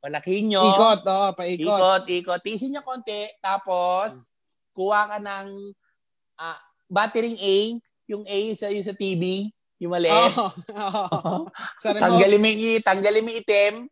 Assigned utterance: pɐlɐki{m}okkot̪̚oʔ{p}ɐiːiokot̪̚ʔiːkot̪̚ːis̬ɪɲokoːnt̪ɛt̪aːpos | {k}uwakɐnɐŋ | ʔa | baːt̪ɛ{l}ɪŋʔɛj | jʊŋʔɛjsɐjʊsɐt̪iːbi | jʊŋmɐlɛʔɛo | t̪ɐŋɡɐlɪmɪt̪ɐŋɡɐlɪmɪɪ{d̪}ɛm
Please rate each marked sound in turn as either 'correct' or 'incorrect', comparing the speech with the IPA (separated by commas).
incorrect, correct, correct, incorrect, incorrect